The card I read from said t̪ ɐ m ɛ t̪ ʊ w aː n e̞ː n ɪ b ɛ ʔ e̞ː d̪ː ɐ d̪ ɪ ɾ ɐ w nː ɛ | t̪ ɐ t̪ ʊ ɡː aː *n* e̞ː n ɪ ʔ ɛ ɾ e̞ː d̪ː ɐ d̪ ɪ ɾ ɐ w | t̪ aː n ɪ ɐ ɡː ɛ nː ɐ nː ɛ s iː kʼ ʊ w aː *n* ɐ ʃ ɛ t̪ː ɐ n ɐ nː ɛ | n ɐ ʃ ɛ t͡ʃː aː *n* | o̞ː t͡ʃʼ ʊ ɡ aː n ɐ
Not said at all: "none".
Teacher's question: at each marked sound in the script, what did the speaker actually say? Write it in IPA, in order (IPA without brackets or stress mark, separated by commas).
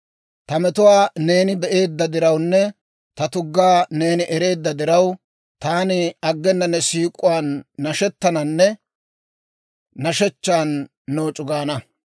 n, nː, nː